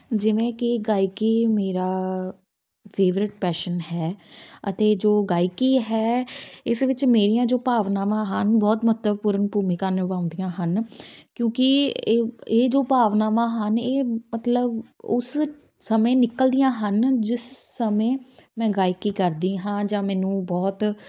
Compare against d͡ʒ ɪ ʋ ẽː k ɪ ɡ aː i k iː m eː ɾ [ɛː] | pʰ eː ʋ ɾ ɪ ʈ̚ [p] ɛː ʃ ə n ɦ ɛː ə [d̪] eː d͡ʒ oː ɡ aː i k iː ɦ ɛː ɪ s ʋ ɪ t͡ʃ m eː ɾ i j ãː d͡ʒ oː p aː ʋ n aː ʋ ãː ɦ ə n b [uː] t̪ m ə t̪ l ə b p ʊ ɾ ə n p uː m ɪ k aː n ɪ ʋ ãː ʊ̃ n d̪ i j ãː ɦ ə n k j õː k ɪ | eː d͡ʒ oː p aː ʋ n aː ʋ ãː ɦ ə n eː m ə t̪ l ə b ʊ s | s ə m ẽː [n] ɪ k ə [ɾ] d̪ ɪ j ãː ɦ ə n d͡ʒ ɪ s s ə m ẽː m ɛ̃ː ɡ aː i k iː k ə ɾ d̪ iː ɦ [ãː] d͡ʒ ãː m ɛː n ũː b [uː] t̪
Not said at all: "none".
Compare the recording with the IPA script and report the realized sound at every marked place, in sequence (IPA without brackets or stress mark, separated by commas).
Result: aː, p, t̪, ɔː, n, l, ãː, ɔː